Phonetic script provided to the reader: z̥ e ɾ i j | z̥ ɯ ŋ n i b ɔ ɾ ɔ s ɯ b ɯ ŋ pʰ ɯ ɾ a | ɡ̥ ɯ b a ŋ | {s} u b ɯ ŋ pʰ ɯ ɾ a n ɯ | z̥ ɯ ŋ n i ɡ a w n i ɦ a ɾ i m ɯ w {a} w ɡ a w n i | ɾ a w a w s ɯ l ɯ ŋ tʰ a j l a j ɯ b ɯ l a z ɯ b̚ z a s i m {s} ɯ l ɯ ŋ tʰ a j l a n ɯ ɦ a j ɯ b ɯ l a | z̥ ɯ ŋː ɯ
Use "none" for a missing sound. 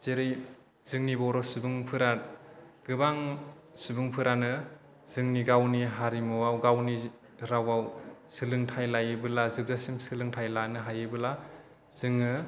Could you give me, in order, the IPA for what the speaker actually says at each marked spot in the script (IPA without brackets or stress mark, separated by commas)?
s, a, s